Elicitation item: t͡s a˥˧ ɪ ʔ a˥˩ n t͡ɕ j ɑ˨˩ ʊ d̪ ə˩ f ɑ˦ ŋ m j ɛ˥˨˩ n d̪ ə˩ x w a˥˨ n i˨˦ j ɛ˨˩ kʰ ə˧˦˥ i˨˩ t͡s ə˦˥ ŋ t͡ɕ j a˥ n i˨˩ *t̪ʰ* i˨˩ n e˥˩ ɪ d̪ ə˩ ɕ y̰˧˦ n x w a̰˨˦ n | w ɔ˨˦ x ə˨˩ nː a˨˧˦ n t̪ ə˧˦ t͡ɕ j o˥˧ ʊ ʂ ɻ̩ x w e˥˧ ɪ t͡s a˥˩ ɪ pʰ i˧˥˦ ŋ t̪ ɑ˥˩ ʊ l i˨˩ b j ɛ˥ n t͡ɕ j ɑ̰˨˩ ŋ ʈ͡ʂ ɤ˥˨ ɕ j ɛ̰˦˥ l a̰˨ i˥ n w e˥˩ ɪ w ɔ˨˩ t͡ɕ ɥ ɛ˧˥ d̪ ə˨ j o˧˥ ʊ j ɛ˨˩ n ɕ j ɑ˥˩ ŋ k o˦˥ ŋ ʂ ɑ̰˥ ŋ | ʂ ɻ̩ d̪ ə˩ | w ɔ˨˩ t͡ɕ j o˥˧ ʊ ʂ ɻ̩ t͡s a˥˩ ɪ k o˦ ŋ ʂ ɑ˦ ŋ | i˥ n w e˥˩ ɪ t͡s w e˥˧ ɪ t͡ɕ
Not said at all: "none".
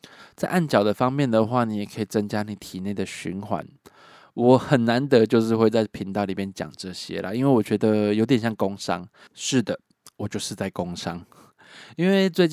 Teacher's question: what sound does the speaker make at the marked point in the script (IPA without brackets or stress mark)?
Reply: t̪ʰ